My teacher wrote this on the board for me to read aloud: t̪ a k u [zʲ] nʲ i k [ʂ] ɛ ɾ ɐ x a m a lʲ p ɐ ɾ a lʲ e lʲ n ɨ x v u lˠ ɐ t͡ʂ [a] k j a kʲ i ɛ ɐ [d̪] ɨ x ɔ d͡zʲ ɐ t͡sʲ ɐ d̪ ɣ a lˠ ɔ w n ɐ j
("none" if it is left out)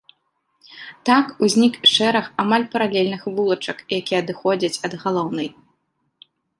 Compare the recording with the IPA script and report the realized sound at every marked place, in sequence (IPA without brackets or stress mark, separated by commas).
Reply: zʲ, ʂ, ɐ, d̪